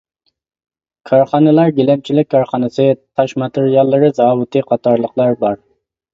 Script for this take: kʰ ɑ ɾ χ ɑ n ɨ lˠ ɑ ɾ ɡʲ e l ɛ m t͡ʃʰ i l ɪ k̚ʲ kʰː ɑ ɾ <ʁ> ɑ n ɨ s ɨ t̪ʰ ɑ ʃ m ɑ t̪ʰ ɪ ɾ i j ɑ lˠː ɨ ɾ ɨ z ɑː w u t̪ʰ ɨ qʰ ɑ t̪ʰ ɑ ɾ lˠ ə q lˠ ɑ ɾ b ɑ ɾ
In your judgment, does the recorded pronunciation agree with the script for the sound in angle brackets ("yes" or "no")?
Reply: no